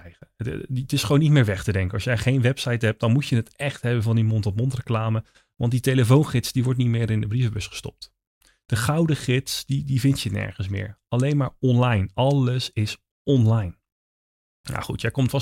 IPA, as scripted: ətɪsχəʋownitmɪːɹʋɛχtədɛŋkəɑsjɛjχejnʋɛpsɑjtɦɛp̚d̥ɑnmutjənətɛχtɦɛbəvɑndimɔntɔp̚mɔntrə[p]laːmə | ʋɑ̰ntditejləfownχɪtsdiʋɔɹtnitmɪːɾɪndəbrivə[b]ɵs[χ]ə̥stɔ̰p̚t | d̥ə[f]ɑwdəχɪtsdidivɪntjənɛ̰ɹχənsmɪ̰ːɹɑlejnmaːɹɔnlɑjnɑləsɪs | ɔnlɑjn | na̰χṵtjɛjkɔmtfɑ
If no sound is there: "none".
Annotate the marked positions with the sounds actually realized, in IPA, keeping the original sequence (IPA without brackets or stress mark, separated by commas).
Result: k, b, χ, χ